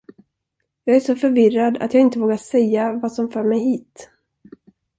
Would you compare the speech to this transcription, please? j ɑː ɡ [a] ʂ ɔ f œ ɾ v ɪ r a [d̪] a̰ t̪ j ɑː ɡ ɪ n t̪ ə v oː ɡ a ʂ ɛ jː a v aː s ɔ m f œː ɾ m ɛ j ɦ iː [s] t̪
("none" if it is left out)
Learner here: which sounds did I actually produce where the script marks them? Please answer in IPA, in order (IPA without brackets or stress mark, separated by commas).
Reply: æ, d̪, none